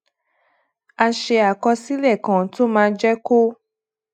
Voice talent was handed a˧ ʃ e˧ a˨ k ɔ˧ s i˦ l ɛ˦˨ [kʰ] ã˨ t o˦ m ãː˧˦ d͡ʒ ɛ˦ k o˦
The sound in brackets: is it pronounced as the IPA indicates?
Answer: no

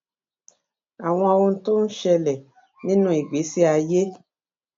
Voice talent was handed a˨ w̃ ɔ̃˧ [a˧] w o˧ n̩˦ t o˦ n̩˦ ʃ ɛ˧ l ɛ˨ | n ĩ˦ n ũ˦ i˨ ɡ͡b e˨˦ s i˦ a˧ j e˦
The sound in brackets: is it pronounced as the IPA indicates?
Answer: yes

